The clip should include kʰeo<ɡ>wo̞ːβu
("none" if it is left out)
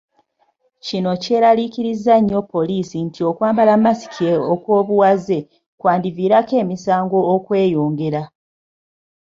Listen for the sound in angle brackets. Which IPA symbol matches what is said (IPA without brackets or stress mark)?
k